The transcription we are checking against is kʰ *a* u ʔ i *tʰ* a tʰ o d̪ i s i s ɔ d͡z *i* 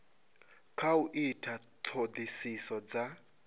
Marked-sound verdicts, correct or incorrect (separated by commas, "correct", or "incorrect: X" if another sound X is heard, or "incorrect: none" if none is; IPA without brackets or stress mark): correct, correct, incorrect: a